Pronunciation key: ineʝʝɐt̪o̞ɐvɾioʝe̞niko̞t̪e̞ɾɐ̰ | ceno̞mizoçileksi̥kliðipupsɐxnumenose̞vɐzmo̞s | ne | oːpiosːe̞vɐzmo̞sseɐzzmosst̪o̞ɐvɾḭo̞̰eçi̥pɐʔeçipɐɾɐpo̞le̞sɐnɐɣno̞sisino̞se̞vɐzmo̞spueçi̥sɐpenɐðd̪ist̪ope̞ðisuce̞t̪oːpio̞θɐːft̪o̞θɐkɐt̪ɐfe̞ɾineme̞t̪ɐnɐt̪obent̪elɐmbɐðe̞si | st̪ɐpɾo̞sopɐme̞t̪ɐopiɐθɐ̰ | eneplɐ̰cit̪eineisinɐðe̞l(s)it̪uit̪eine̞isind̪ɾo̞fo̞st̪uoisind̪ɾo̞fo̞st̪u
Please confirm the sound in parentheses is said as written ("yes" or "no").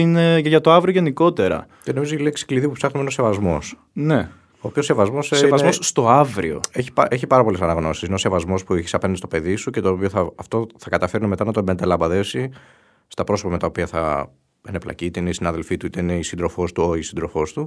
no